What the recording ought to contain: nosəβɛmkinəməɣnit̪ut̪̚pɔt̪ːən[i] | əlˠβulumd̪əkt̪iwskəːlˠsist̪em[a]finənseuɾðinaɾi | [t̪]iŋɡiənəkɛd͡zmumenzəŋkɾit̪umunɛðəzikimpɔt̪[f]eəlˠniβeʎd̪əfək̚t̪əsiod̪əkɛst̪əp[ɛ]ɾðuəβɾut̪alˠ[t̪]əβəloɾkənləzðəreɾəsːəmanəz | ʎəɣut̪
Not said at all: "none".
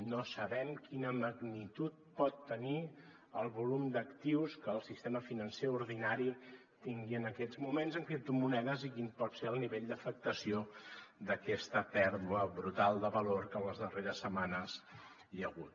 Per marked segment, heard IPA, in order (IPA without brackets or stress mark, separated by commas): i, ə, t̪, s, ɛ, d̪